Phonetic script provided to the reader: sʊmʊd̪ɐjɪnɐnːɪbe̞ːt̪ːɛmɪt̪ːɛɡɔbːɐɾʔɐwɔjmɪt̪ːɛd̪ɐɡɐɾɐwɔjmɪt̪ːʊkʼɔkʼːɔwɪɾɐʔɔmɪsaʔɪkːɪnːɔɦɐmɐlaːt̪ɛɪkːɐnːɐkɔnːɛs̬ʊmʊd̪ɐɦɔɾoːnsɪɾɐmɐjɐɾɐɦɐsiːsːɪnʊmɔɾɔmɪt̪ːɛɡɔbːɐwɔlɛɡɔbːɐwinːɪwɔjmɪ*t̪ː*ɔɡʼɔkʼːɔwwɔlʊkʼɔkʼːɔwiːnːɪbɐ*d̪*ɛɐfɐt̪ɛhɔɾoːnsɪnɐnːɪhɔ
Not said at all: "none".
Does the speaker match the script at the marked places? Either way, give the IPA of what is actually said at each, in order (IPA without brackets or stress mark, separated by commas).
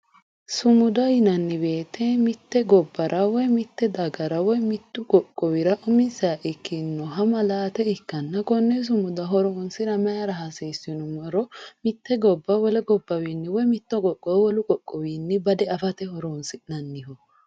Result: t̪ː, d̪